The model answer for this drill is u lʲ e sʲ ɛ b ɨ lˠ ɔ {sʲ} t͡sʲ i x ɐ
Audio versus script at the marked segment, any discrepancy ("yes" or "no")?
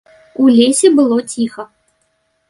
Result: yes